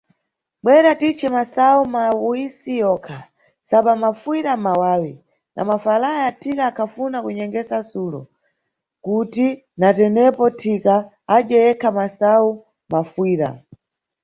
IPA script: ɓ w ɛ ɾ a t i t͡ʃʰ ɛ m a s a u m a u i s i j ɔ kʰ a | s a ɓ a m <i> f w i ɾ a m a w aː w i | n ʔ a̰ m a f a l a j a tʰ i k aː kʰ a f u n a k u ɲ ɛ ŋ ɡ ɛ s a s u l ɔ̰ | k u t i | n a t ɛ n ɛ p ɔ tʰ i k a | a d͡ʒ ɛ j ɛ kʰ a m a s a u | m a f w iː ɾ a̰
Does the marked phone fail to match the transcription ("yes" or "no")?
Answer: yes